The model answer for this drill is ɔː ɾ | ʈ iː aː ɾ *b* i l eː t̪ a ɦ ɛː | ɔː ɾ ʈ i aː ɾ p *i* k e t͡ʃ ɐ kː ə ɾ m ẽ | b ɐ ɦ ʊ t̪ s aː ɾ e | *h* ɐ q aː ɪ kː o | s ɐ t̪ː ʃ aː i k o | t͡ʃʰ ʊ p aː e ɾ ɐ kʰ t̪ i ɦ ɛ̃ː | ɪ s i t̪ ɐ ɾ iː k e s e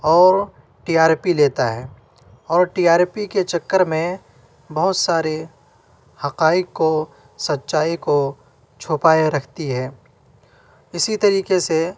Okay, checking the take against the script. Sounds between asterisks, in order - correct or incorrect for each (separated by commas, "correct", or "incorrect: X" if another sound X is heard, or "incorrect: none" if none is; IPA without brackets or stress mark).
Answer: incorrect: p, correct, correct